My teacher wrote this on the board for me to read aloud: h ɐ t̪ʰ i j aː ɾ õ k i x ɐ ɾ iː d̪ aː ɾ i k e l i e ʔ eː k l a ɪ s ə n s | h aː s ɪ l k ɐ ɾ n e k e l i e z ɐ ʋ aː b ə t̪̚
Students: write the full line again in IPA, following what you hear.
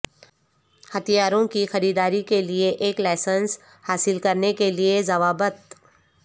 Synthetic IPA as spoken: h ɐ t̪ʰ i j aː ɾ õ k i x ɐ ɾ iː d̪ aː ɾ i k e l i e ʔ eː k l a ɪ s ə n s | h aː s ɪ l k ɐ ɾ n e k e l i e z ɐ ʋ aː b ə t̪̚